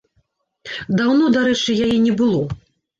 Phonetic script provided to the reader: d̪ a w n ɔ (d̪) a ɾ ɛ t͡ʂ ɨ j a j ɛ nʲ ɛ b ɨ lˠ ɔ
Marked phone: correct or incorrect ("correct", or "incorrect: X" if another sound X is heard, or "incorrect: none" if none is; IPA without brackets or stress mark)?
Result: correct